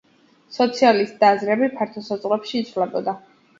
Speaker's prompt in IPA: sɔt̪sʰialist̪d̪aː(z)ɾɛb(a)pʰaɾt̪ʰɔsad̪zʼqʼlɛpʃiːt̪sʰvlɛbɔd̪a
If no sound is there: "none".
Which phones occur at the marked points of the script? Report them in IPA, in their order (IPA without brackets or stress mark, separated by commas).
z, i